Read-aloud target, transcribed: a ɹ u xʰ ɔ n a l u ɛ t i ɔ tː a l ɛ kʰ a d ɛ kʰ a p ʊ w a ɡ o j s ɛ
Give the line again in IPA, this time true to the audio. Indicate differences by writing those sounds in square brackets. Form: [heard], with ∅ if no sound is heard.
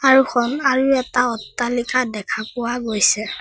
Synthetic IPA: a ɹ u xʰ ɔ n a [ɹ] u ɛ t [a] ɔ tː a l [i] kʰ a d ɛ kʰ a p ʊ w a ɡ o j s ɛ